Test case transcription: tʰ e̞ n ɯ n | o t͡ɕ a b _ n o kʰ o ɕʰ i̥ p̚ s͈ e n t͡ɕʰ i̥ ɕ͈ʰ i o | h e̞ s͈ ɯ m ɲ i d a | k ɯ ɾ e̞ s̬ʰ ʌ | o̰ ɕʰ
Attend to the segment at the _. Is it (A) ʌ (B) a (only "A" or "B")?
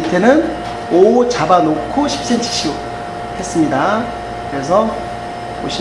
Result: B